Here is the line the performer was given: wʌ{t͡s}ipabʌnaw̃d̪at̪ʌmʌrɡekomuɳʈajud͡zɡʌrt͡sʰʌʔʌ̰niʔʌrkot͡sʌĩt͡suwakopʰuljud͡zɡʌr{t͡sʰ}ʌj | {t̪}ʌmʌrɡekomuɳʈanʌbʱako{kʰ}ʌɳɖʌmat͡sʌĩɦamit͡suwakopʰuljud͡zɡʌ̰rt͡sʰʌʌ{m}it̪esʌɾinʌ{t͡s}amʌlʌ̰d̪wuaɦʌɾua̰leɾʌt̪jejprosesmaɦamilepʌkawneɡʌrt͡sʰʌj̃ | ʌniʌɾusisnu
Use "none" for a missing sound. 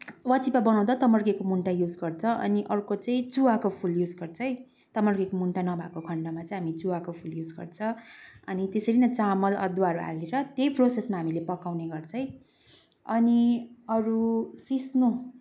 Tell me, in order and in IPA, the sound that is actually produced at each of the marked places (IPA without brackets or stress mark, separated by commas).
t͡s, t͡sʰ, t̪, kʰ, n, t͡s